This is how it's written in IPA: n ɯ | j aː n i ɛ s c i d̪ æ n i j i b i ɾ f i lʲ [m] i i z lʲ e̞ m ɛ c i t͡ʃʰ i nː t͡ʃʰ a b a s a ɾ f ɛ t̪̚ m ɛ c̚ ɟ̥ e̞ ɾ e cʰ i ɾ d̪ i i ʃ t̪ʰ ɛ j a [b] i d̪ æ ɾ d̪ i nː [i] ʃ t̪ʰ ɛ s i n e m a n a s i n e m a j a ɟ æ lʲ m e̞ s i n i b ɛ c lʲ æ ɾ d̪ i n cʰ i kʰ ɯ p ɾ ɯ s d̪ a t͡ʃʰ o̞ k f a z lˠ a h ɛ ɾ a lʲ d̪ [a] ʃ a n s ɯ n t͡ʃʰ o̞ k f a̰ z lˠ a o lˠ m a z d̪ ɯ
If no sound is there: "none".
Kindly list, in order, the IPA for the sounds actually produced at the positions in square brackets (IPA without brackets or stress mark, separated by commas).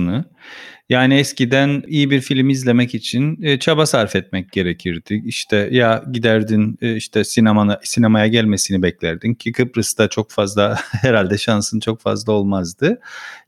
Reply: m, ɟ, i, ɛ